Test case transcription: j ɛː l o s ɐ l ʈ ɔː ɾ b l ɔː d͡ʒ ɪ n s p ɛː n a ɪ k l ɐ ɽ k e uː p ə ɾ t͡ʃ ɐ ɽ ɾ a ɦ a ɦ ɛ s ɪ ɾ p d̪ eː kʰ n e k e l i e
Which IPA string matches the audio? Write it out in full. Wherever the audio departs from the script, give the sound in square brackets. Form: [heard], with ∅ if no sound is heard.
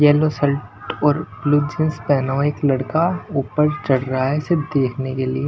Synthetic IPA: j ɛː l o s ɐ l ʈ ɔː ɾ b l [uː] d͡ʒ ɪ n s p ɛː n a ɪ k l ɐ ɽ k [a] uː p ə ɾ t͡ʃ ɐ ɽ ɾ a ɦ a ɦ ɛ s ɪ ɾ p d̪ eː kʰ n e k e l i e